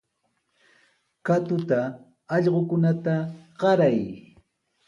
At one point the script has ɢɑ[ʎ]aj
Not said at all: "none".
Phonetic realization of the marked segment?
ɾ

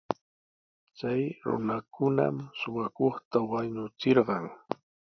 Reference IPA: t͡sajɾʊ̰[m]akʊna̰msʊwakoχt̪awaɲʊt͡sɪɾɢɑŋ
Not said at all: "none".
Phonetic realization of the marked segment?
n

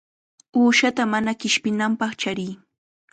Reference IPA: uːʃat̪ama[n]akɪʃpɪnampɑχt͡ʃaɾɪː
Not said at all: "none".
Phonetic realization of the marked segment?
n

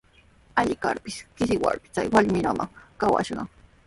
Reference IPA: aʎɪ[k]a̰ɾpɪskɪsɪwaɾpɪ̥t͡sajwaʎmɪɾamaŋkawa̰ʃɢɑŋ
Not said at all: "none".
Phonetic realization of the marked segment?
k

